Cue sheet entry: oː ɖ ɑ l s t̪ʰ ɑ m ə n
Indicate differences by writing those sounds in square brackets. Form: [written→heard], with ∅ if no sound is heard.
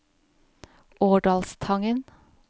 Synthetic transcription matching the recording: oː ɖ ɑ l s t̪ʰ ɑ [m→ŋ] ə n

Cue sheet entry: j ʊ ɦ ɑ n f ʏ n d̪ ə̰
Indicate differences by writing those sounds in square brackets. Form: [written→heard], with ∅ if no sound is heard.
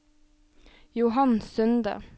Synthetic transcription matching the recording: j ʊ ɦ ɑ n [f→s] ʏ n d̪ ə̰

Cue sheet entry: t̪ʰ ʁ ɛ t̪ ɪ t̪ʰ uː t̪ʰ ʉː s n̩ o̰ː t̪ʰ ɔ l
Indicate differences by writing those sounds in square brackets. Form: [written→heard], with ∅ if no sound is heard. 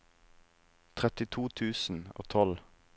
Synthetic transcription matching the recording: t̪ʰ ʁ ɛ t̪ ɪ t̪ʰ uː t̪ʰ ʉː s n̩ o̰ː t̪ʰ ɔ l

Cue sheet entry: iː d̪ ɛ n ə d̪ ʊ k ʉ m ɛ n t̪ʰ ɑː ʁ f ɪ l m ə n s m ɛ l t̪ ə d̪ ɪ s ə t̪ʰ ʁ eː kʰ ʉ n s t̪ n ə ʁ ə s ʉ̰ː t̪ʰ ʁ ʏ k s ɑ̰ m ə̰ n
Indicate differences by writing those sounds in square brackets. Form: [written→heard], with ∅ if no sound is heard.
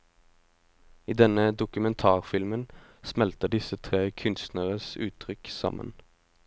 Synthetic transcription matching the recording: iː d̪ ɛ n ə d̪ ʊ k ʉ m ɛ n t̪ʰ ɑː ʁ f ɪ l m ə n s m ɛ l t̪ ə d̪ ɪ s ə t̪ʰ ʁ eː kʰ ʉ n s t̪ n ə ʁ ə s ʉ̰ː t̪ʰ ʁ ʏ k s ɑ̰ m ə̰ n

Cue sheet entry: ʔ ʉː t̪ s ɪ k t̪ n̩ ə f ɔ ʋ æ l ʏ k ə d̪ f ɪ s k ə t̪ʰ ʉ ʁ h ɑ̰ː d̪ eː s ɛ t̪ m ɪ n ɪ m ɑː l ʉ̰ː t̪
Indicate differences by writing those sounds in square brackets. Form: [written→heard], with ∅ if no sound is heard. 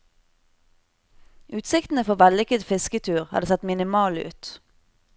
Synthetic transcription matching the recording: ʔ ʉː t̪ s ɪ k t̪ n̩ ə f ɔ ʋ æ l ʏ k ə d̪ f ɪ s k ə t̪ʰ [ʉ→ʉː] ʁ h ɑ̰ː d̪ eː s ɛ t̪ m ɪ n ɪ m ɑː l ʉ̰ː t̪

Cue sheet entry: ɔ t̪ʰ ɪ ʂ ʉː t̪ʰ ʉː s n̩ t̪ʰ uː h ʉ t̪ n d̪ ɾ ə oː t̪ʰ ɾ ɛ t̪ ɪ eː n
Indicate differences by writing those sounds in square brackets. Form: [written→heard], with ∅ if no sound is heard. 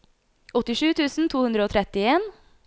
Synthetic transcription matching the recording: ɔ [t̪ʰ→t̪] ɪ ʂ ʉː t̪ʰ ʉː s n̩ t̪ʰ uː h ʉ [t̪→∅] n d̪ ɾ ə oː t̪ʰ ɾ ɛ t̪ ɪ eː n

